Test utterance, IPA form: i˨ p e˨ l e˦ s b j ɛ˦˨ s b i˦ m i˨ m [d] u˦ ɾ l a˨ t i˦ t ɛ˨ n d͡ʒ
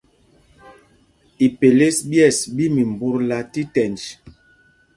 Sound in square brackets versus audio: incorrect: b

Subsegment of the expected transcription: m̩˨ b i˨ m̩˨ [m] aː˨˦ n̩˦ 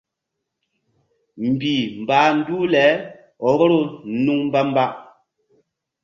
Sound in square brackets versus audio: incorrect: b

